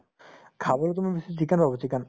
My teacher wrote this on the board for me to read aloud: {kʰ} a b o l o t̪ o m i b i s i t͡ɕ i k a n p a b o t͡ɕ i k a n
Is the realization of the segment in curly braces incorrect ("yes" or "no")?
no